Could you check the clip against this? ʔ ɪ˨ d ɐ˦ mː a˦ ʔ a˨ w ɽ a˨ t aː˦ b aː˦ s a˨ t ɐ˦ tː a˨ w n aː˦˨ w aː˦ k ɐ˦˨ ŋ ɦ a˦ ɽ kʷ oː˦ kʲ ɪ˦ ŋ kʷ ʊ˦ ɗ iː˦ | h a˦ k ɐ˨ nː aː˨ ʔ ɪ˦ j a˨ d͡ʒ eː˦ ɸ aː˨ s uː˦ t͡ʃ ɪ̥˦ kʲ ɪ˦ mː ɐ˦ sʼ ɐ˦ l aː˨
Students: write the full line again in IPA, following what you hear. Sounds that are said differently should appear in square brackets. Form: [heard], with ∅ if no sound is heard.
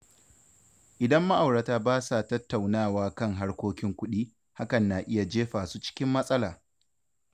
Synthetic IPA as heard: ʔ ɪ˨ d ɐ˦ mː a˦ ʔ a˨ w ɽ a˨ t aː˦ b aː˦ s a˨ t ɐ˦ tː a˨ w n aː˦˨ w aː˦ k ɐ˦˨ ŋ ɦ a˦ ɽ kʷ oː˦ kʲ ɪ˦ ŋ kʷ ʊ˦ ɗ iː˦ | h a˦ k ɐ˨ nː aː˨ ʔ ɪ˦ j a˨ d͡ʒ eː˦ ɸ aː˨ s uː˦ t͡ʃ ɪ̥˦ kʲ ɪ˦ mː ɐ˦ sʼ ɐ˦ l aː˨